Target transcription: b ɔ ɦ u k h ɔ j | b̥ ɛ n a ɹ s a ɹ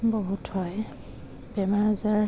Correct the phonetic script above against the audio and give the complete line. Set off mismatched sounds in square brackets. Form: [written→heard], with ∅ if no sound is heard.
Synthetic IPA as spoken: b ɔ ɦ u [k→t] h ɔ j | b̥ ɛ [n→m] a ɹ [s→z] a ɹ

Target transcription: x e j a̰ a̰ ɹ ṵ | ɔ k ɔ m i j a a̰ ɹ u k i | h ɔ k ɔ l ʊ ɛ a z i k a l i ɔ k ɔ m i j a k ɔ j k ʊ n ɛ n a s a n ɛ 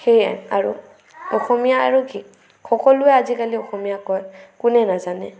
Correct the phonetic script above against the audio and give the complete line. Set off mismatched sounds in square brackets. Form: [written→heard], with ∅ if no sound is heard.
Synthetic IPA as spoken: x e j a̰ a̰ ɹ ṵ | ɔ [k→x] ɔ m i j a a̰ ɹ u k i | [h→x] ɔ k ɔ l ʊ ɛ a z i k a l i ɔ [k→x] ɔ m i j a k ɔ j k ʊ n ɛ n a [s→z] a n ɛ

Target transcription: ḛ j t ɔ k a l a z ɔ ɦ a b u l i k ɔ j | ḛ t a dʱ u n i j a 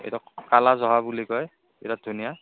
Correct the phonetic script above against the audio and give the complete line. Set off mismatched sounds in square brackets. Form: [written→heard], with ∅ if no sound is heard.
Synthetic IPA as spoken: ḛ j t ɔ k a l a z ɔ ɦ a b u l i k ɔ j | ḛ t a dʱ u n i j a

